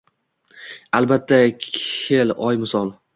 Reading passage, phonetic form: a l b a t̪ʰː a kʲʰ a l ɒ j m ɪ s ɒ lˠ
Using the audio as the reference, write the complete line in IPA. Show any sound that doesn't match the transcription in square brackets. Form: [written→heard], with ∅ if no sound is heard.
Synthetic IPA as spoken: a l b a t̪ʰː a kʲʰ [a→e] l ɒ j m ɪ s ɒ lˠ